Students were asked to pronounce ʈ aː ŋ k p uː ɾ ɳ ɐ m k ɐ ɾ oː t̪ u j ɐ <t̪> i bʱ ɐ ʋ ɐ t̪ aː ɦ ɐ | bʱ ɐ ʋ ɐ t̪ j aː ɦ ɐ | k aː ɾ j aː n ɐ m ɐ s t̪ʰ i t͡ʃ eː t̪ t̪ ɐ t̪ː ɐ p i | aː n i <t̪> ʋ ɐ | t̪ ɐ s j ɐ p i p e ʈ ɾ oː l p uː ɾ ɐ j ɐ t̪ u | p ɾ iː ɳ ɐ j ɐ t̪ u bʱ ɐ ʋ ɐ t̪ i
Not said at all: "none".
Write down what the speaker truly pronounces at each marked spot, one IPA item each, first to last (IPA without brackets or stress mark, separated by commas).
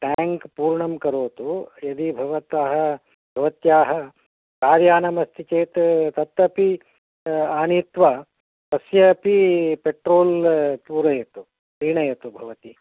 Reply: d̪, t̪